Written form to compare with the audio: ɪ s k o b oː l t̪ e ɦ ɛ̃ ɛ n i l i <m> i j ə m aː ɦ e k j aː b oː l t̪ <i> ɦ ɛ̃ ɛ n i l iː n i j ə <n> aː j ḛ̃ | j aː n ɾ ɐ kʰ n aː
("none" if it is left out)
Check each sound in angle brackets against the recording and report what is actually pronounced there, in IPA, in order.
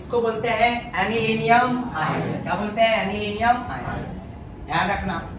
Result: n, e, m

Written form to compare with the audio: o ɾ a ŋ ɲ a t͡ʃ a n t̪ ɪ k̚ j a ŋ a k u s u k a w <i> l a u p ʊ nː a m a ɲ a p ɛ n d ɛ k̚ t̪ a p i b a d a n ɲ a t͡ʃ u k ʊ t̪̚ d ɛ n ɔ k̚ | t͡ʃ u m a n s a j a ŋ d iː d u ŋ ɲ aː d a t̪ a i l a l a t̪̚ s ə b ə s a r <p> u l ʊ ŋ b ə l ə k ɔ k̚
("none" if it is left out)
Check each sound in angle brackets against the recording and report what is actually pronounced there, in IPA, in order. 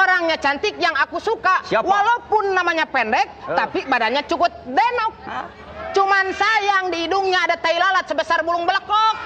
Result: a, b

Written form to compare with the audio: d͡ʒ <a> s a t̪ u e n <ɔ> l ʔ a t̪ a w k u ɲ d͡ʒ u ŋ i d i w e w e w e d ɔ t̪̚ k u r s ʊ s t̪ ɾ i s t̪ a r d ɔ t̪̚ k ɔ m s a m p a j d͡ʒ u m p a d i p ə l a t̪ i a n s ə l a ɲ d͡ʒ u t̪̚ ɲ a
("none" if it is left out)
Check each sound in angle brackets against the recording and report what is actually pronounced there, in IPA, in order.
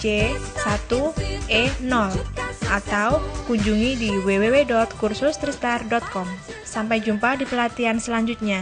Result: e, ɔ

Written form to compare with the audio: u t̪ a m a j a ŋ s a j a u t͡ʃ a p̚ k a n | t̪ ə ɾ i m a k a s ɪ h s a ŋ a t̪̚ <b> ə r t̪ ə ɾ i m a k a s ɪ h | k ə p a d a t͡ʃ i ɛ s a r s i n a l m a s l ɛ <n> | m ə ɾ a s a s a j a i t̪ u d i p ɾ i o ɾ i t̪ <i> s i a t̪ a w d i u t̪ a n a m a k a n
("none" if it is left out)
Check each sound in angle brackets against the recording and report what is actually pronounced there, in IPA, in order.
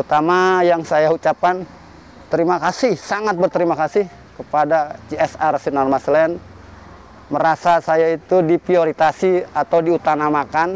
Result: b, n, a

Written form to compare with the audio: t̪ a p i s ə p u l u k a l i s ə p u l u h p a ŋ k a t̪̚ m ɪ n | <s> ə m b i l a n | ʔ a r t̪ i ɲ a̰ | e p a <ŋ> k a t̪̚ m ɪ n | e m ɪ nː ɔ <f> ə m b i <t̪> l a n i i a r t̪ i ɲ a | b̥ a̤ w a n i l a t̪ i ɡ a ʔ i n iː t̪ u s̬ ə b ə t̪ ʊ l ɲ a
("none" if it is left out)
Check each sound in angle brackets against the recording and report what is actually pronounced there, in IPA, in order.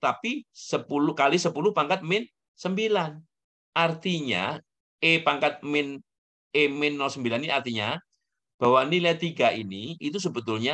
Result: s, ŋ, s, none

